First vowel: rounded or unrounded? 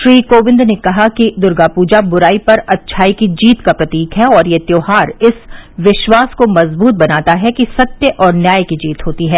unrounded